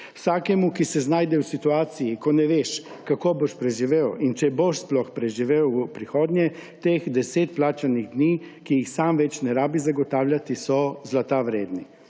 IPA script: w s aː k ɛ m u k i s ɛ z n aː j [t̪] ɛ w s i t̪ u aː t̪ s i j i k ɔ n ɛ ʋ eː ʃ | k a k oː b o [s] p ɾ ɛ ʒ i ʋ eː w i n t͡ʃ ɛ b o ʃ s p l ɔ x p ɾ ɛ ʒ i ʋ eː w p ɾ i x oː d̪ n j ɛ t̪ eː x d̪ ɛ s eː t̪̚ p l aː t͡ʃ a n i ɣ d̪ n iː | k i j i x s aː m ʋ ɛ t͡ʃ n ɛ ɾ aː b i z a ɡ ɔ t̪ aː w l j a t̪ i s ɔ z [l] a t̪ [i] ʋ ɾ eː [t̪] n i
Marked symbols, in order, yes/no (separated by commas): no, no, yes, no, no